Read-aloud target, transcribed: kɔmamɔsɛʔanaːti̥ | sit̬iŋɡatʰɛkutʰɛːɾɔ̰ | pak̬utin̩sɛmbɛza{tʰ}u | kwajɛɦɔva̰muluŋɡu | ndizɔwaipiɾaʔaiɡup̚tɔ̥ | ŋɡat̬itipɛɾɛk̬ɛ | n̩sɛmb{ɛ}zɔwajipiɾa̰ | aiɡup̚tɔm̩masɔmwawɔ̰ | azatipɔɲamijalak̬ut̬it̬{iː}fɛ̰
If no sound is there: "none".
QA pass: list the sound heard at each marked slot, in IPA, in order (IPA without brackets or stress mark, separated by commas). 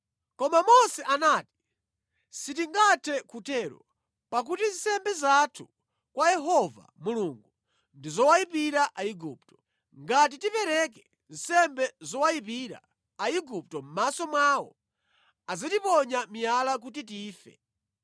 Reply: tʰ, ɛ, iː